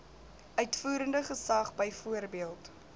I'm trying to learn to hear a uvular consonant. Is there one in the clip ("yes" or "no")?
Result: yes